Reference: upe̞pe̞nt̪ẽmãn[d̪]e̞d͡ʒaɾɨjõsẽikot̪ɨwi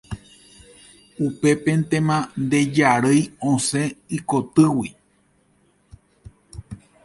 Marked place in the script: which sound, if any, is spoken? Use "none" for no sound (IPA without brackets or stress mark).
d̪